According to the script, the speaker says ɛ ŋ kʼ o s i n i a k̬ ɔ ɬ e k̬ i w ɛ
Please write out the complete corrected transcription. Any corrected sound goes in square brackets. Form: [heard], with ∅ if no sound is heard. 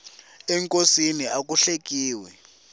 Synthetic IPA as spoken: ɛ ŋ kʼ o s i n i a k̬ [u] ɬ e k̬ [iː] w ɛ

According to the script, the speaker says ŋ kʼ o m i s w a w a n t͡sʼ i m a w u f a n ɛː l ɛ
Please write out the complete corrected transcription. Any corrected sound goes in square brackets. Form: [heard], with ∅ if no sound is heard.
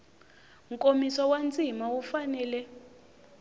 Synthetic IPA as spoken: ŋ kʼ o m i s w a w a n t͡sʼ i m a w u f a n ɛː l ɛ

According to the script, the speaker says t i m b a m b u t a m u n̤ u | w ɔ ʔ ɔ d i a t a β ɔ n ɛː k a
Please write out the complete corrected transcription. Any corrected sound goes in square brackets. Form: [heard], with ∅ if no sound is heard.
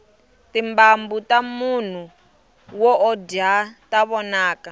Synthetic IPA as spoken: t i m b a m b u t a m u n̤ u | w ɔ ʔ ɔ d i a t a β ɔ n [aː] k a

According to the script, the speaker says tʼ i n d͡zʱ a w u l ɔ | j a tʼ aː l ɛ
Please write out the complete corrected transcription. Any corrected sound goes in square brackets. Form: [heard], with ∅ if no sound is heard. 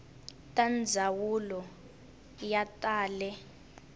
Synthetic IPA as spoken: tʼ [a] n d͡zʱ a w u l ɔ | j a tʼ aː l ɛ

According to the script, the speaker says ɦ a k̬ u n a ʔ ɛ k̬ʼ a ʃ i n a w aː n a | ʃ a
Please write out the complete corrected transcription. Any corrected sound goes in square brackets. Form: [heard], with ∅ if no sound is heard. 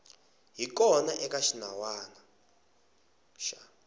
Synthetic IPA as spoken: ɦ [i] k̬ [ɔ] n a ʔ ɛ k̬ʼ a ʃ i n a w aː n a | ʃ a

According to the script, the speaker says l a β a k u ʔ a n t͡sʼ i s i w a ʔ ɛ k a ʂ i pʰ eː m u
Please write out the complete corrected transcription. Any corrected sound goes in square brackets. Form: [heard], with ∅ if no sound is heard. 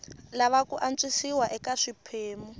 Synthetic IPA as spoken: l a β a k u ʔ a n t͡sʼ i s i w a ʔ ɛ k a ʂ i pʰ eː m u

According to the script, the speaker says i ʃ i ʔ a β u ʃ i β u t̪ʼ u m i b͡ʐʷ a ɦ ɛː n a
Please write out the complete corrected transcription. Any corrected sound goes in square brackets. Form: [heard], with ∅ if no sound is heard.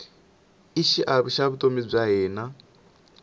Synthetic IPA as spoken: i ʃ i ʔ a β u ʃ [a] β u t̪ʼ [o] m i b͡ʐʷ a ɦ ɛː n a

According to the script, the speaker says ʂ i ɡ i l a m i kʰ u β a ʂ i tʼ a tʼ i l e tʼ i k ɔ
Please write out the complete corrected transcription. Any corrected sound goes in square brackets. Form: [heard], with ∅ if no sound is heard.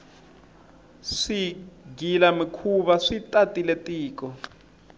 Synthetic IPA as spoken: ʂ i ɡ i l a m i kʰ u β a ʂ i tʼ a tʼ i l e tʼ [iː] k ɔ

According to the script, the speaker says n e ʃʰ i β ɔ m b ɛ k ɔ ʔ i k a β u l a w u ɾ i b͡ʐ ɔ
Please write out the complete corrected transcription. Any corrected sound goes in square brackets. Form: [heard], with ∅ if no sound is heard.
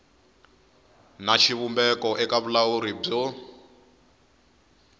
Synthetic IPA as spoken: n [a] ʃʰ i β [u] m b ɛ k ɔ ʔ [ɛ] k a β u l a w u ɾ i b͡ʐ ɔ

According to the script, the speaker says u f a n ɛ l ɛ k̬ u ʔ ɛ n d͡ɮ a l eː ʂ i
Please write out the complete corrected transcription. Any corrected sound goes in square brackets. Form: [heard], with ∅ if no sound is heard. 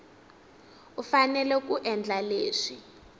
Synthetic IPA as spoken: u f a n ɛ l ɛ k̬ u ʔ ɛ n d͡ɮ a l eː ʂ i

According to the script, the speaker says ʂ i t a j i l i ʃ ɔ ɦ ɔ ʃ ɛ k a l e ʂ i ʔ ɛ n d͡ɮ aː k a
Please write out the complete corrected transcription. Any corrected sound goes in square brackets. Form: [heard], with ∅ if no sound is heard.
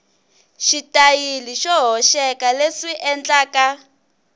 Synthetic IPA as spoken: [ʃ] i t a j i l i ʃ ɔ ɦ ɔ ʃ ɛ k a l e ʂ i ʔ ɛ n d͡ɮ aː k a

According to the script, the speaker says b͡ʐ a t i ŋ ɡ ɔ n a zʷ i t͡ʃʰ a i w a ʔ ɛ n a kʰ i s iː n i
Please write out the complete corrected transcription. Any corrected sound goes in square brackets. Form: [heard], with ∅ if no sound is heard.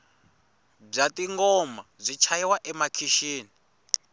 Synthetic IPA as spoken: b͡ʐ a t i ŋ ɡ ɔ [m] a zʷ i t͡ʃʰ a i w a ʔ ɛ [m] a kʰ i [ʃ] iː n i

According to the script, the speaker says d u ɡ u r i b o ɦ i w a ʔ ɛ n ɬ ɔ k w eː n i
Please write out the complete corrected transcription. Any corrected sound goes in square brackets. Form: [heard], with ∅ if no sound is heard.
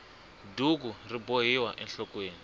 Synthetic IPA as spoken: d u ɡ u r i b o ɦ i w a ʔ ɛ n ɬ ɔ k w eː n i

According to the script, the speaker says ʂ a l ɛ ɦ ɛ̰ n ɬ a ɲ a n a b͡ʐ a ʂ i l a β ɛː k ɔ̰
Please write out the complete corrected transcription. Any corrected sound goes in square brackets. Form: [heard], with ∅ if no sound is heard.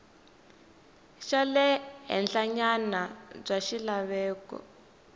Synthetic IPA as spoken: [ʃ] a l ɛ ɦ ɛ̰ n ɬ a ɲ a n a b͡ʐ a [ʃ] i l a β ɛː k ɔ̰

